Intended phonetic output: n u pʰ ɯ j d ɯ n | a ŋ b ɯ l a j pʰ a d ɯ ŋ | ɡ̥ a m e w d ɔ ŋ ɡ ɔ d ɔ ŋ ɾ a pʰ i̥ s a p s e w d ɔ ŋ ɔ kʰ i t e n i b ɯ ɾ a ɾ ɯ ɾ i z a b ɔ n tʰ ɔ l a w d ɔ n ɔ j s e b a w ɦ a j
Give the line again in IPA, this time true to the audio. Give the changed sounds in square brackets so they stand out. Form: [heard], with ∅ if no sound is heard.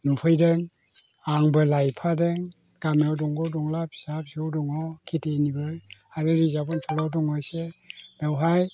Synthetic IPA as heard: n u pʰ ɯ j d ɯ [ŋ] | a ŋ b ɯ l a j pʰ a d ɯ ŋ | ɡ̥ a m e w d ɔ ŋ ɡ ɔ d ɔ ŋ [l] a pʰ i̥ s a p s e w d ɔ ŋ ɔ kʰ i t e n i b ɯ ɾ a ɾ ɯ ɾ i z a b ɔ n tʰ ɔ l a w d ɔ [ŋ] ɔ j s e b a w ɦ a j